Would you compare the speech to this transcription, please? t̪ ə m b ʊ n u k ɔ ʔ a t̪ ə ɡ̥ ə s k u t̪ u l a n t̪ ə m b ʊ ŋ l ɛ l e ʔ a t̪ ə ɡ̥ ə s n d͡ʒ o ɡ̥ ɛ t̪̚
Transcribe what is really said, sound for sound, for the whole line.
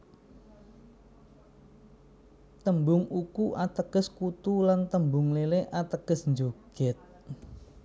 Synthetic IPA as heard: t̪ ə m b ʊ ŋ u k u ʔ a t̪ ə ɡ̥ ə s k u t̪ u l a n t̪ ə m b ʊ ŋ l e l e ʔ a t̪ ə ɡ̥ ə s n d͡ʒ o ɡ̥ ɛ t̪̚